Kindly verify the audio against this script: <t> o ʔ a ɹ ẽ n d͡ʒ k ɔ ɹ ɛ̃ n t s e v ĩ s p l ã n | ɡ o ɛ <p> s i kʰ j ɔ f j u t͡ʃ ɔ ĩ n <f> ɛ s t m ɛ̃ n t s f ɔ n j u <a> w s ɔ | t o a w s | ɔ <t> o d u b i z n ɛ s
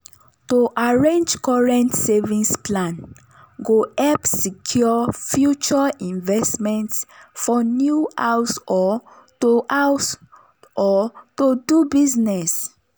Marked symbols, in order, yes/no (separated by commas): yes, yes, no, yes, yes